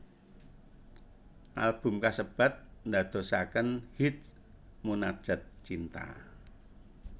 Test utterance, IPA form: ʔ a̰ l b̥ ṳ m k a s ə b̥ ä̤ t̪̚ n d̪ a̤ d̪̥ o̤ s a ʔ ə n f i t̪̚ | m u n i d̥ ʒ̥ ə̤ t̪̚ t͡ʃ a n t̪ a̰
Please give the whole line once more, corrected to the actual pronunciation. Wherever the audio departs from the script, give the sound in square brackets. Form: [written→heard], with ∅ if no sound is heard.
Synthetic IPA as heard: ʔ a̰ l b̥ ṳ m k a s ə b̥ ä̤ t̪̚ n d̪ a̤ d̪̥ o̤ s a [ʔ→k] ə n [f→h] i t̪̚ | m u n [i→a] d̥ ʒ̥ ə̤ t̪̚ t͡ʃ [a→i] n t̪ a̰